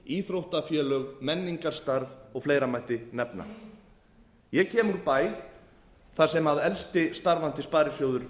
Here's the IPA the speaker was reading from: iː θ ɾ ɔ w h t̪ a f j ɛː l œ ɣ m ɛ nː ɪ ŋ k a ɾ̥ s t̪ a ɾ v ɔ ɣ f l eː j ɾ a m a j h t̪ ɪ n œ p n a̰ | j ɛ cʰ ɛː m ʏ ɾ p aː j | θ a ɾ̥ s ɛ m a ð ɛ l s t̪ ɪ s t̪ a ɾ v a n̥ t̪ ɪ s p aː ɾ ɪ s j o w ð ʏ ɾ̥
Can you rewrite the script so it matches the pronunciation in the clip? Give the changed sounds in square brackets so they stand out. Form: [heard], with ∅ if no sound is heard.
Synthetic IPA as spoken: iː θ ɾ [o] w h t̪ a f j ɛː l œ ɣ m ɛ nː [i] ŋ k a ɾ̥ s t̪ a ɾ v ɔ ɣ f l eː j ɾ a m a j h t̪ ɪ n [ɛ] p n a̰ | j ɛ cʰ ɛː m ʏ ɾ p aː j | θ a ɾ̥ s ɛ m a ð ɛ l s t̪ ɪ s t̪ a ɾ v a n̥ t̪ ɪ s p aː ɾ ɪ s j o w ð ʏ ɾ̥

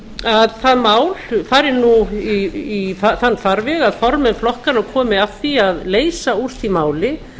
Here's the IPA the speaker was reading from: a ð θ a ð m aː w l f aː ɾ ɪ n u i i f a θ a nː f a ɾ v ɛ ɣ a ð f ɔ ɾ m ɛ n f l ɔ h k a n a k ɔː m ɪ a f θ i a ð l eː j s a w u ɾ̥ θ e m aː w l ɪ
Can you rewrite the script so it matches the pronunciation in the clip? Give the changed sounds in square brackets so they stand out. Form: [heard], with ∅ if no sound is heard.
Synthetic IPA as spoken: a ð θ a ð m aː w l f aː ɾ ɪ n u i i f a θ a nː f a ɾ v ɛ ɣ a ð f ɔ ɾ m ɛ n f l ɔ h k a n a [kʰ] ɔː m ɪ a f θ i a ð l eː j s a [∅] u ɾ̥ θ [i] m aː w l ɪ

